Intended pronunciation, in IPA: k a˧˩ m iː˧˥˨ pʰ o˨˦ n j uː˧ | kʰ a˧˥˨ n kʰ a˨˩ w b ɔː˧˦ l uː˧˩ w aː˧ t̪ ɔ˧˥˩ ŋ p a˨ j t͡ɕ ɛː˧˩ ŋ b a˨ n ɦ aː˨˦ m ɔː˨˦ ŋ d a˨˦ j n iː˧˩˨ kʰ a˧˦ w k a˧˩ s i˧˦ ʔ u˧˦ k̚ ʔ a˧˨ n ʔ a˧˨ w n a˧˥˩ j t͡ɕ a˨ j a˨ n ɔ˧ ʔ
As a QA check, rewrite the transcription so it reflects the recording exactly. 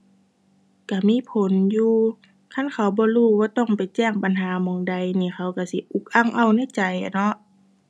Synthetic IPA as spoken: k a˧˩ m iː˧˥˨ pʰ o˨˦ n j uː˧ | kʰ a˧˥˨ n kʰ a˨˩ w b ɔː˧˦ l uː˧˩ w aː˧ t̪ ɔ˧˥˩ ŋ p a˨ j t͡ɕ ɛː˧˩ ŋ b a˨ n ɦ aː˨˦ m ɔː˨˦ ŋ d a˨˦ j n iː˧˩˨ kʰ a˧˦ w k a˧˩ s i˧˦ ʔ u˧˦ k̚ ʔ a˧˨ ŋ ʔ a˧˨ w n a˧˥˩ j t͡ɕ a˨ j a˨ n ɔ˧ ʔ

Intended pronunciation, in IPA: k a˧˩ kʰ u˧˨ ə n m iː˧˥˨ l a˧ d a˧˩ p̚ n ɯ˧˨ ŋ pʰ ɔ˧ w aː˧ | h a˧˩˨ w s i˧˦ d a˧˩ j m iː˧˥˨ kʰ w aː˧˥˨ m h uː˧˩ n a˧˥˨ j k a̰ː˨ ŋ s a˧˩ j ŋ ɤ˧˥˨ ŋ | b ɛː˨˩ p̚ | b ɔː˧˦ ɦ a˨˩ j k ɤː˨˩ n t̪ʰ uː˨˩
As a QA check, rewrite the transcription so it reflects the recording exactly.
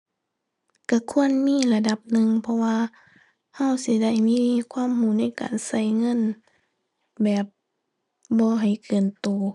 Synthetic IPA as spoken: k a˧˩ kʰ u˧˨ ə n m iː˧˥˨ l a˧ d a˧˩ p̚ n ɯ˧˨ ŋ pʰ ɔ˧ w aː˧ | h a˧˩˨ w s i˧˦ d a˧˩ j m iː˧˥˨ kʰ w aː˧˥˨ m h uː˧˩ n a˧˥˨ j k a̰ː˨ n s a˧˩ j ŋ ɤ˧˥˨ n | b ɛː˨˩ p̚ | b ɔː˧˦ ɦ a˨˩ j k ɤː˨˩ n t̪ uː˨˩

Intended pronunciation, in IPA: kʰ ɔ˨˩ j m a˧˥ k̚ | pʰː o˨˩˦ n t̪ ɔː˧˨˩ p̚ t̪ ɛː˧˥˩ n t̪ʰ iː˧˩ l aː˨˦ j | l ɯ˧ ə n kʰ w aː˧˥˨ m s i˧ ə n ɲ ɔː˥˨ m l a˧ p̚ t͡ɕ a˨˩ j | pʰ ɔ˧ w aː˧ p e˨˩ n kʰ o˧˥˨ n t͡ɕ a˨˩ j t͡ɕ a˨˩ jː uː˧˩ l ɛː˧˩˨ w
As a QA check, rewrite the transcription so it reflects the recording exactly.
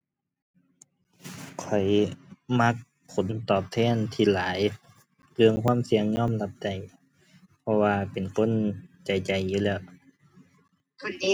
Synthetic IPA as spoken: kʰ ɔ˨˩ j m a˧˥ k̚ | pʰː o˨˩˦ n t̪ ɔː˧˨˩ p̚ t̪ʰ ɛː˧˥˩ n t̪ʰ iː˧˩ l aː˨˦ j | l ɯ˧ ə ŋ kʰ w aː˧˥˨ m s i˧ ə ŋ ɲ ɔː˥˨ m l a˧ p̚ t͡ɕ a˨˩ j | pʰ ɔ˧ w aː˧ p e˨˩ n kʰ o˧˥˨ n t͡ɕ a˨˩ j t͡ɕ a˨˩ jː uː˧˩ l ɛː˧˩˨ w

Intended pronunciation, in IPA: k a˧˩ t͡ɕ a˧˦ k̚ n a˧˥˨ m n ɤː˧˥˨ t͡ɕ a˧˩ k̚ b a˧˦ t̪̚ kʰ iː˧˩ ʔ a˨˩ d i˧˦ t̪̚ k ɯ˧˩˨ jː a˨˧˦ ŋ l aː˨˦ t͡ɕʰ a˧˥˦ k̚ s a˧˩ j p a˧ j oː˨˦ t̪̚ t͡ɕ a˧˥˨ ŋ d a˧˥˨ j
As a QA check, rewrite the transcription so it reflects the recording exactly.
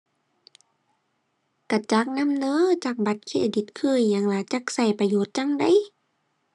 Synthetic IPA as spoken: k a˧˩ t͡ɕ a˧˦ k̚ n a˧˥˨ m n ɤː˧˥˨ t͡ɕ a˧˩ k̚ b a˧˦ t̪̚ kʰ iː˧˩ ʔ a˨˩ d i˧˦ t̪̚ kʰ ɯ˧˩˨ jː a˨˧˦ ŋ l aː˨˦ t͡ɕ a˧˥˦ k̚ s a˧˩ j p a˧ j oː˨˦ t̪̚ t͡ɕ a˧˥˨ ŋ d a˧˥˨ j

